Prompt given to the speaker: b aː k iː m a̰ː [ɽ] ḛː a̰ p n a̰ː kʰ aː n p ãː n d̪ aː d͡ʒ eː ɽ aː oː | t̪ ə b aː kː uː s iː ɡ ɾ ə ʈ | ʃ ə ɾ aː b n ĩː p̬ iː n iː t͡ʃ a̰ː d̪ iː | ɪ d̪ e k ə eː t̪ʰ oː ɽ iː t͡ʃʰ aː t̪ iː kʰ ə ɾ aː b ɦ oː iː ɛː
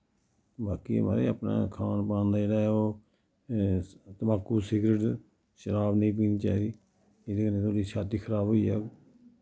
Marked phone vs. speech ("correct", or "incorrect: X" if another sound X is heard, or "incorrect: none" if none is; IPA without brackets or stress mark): incorrect: ɾ